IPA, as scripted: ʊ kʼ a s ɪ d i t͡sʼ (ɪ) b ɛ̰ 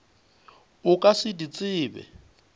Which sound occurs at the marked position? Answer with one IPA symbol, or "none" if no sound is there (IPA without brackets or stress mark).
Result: ɪː